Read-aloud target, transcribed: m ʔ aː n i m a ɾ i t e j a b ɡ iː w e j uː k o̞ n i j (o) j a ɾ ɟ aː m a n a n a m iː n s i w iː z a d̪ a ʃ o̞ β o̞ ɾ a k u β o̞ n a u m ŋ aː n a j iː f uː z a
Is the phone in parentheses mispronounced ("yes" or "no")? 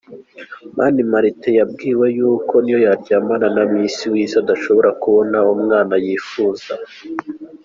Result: no